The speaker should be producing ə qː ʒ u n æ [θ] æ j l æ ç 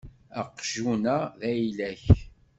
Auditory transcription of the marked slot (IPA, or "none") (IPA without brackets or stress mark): ð